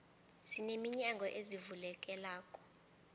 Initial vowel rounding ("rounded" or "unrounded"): unrounded